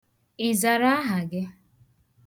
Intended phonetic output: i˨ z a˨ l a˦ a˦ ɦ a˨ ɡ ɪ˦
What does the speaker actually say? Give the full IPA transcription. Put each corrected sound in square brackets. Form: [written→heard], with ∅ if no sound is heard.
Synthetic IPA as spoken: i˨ z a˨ [l→ɾ] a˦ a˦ ɦ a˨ ɡ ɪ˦